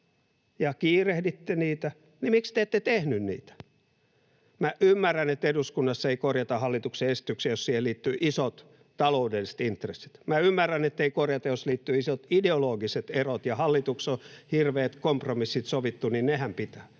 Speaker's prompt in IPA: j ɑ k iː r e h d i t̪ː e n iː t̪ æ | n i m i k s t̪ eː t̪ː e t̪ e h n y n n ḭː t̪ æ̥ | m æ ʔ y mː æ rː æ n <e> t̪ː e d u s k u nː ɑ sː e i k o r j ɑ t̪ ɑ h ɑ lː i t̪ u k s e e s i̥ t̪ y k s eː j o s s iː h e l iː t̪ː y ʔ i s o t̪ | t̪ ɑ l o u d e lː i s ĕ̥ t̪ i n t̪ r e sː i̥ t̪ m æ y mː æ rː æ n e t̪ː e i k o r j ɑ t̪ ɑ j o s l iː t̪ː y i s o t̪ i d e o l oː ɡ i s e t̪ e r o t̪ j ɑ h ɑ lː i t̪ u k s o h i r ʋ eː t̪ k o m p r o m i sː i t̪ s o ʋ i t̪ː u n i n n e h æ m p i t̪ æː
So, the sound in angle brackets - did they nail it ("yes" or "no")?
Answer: yes